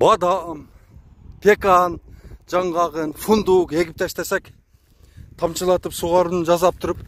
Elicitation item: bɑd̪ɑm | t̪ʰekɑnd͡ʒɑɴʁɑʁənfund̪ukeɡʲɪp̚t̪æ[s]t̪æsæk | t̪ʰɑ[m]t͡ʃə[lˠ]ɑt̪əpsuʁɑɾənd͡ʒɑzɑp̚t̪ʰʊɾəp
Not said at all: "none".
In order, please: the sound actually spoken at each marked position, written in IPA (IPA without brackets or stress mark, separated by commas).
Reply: ʃ, m, lˠ